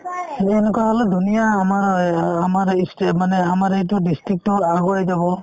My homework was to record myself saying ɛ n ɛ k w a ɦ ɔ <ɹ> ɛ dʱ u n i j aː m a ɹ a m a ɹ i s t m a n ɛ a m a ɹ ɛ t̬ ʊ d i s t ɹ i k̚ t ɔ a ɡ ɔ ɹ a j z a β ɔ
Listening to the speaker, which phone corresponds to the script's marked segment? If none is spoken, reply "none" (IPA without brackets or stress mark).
l